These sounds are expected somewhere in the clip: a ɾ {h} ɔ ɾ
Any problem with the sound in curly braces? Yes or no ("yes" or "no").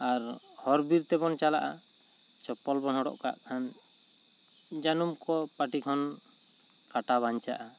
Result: no